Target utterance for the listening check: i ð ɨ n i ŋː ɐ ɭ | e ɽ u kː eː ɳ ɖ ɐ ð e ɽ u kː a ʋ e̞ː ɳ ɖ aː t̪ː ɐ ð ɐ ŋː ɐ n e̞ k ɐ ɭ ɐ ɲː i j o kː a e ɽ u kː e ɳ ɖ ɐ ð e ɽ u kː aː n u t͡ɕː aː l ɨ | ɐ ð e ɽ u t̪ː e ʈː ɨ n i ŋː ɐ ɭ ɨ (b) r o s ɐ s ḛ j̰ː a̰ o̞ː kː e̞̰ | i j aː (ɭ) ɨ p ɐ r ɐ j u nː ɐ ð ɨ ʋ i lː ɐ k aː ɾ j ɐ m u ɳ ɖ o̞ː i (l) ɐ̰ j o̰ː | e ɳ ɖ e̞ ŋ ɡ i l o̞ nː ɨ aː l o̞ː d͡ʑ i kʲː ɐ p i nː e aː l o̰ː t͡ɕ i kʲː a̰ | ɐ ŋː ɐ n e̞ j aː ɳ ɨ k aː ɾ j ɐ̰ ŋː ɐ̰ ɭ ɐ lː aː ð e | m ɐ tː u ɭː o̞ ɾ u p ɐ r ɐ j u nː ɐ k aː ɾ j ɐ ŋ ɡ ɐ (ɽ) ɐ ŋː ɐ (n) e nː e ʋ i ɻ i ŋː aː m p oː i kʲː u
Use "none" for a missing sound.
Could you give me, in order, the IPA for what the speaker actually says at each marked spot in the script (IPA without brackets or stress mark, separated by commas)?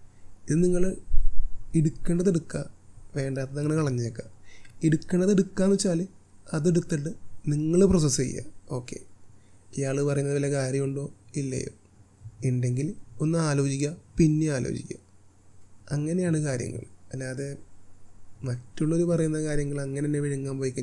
p, ɭ, lː, ɭ, n